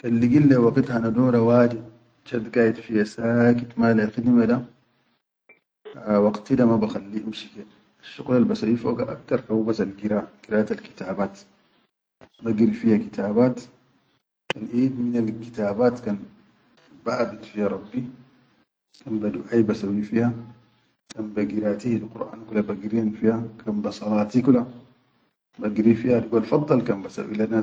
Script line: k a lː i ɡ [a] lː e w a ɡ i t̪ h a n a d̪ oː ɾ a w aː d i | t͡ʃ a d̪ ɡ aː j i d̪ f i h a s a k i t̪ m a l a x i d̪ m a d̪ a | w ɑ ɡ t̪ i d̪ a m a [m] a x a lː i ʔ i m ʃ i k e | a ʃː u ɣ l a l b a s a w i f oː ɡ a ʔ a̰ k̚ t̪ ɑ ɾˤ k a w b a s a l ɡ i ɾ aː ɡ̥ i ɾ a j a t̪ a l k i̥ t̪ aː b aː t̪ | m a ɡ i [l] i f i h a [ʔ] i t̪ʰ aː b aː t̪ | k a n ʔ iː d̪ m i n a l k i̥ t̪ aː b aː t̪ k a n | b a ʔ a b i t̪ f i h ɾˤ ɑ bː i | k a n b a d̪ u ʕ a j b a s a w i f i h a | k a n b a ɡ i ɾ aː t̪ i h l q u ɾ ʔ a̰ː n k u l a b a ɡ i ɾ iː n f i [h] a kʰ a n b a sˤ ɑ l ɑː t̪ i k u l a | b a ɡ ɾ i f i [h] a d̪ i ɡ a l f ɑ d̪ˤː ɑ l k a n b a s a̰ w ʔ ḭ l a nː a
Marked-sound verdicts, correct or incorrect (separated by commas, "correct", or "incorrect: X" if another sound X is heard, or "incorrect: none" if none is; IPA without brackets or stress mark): incorrect: i, incorrect: b, incorrect: ɾ, incorrect: k, correct, correct